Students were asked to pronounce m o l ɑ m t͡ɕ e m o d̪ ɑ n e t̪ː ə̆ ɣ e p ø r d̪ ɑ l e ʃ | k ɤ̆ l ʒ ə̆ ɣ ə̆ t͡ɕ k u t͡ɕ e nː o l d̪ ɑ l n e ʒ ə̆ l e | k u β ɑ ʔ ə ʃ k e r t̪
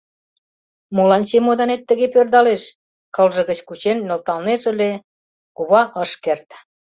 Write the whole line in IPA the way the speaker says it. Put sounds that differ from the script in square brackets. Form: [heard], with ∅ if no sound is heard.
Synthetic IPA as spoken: m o l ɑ [n] t͡ɕ e m o d̪ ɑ n e t̪ː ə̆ ɣ e p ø r d̪ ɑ l e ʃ | k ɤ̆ l ʒ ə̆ ɣ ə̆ t͡ɕ k u t͡ɕ e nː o l [t̪] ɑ l n e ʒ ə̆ l e | k u β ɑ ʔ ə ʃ k e r t̪

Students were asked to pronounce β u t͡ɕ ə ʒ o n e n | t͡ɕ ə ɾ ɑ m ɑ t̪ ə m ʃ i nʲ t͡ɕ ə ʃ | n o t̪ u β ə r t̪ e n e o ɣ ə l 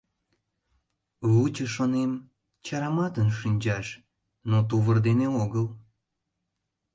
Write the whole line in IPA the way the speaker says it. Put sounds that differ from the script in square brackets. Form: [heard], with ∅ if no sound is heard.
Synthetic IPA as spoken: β u t͡ɕ ə [ʃ] o n e [m] | t͡ɕ [ɑ] ɾ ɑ m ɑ t̪ ə [n] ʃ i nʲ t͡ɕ [ɑ] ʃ | n o t̪ u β ə r [d̪] e n e o ɣ ə l

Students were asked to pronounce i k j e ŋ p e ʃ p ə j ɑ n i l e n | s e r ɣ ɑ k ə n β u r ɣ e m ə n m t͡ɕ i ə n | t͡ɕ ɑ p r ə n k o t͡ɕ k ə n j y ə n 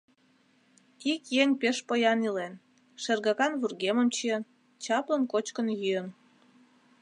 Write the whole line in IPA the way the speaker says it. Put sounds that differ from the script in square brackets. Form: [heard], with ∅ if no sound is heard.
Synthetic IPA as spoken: i k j e ŋ p e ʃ p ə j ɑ n i l e n | [ʃ] e r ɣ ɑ k [ɑ] n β u r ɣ e m ə [∅] m t͡ɕ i ə n | t͡ɕ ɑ p [l] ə n k o t͡ɕ k ə n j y ə n

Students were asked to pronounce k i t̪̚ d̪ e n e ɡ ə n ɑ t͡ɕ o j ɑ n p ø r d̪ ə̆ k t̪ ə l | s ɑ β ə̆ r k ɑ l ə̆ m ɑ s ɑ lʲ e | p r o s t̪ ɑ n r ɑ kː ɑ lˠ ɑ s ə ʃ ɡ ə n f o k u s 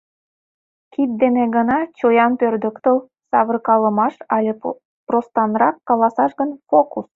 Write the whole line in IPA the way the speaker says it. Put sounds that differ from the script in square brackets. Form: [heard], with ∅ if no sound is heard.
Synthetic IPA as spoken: k i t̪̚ d̪ e n e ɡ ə n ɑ t͡ɕ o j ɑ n p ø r d̪ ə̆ k t̪ ə l | s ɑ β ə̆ r k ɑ l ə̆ m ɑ [ʃ] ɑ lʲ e | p r o s t̪ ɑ n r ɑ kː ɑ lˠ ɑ s [ɑ] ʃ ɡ ə n f o k u s

